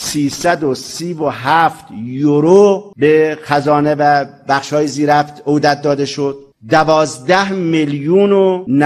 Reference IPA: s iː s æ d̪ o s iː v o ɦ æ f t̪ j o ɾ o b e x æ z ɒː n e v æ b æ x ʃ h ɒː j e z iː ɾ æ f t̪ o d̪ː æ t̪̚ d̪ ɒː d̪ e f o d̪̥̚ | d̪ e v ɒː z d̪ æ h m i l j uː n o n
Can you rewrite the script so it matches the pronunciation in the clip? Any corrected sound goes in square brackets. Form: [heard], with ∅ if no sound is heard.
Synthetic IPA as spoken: s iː s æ d̪ o s iː v o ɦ æ f t̪ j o ɾ o b e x æ z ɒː n e v æ b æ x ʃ h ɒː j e z iː ɾ æ f t̪ o [d̪] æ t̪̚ d̪ ɒː d̪ e [ʃ] o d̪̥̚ | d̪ [æ] v ɒː z d̪ æ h m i l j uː n o n